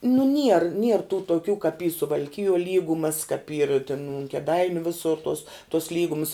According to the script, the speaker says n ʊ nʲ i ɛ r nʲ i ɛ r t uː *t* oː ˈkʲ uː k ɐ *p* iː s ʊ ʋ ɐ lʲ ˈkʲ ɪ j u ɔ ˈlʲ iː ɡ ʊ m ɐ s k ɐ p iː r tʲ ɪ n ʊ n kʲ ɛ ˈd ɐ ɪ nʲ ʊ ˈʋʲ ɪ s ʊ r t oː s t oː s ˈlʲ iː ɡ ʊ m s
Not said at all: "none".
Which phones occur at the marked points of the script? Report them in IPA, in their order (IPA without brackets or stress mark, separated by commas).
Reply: t, p